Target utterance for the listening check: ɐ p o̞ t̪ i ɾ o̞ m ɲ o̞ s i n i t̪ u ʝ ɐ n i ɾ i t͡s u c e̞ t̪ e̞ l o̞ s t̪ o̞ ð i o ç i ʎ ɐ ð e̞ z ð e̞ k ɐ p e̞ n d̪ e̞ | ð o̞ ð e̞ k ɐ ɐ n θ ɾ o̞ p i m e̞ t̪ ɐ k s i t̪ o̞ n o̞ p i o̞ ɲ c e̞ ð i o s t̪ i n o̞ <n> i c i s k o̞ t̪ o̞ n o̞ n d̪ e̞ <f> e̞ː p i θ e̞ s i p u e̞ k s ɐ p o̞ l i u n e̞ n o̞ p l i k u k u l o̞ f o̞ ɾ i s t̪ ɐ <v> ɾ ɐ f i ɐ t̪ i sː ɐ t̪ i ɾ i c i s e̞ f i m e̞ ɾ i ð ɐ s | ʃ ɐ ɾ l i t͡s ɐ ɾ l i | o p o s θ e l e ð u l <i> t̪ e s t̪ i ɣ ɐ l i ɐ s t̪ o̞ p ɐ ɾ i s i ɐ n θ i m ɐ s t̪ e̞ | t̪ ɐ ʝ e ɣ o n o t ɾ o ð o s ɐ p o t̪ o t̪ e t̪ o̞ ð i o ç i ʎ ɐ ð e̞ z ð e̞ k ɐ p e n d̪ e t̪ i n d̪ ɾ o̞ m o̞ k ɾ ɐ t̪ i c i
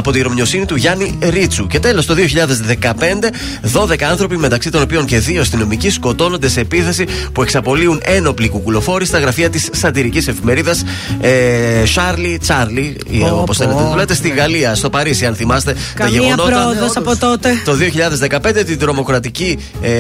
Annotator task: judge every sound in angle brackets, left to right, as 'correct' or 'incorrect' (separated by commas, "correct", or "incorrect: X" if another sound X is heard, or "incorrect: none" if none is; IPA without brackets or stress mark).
incorrect: m, incorrect: s, incorrect: ɣ, incorrect: e